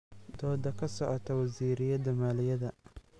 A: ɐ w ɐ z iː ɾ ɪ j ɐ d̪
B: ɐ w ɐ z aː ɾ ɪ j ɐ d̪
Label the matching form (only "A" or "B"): A